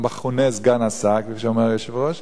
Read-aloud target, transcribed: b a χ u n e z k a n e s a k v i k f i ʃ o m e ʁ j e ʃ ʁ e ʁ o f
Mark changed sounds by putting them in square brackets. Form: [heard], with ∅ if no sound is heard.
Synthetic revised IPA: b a χ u n e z [ɡ] a n [a] s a k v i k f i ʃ o m e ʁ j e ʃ [v] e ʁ o [ʃ]